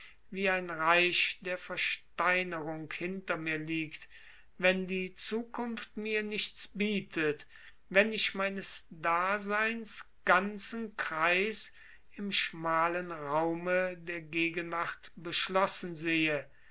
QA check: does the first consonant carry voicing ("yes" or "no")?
yes